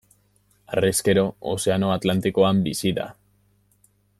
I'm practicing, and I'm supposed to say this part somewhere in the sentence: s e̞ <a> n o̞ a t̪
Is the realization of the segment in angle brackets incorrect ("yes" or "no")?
no